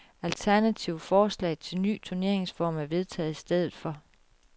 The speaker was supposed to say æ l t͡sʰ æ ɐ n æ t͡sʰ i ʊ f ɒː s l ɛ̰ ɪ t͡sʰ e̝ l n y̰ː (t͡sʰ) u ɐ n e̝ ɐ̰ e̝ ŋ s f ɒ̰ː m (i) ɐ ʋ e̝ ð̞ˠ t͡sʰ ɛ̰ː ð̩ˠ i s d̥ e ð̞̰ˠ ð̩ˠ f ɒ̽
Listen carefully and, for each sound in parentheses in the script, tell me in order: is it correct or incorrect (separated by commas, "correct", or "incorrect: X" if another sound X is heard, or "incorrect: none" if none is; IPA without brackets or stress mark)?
correct, incorrect: æ